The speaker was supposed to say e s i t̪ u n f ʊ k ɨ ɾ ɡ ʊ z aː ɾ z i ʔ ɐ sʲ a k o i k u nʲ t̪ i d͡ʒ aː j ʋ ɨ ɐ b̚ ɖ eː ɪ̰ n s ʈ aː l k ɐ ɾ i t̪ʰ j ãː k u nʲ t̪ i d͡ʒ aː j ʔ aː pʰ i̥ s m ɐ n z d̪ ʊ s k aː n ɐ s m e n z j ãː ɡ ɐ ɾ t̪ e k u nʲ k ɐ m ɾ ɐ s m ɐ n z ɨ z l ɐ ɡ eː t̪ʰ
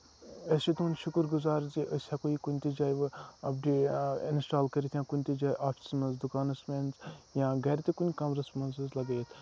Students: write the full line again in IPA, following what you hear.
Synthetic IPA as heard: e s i t̪ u n ʃ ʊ k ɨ ɾ ɡ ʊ z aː ɾ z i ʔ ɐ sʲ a k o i k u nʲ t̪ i d͡ʒ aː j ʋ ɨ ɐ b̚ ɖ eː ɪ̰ n s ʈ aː l k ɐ ɾ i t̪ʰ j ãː k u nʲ t̪ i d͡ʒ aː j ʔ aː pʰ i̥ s m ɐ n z d̪ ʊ k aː n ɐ s m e n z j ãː ɡ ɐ ɾ t̪ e k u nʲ k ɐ m ɾ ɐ s m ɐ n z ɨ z l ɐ ɡ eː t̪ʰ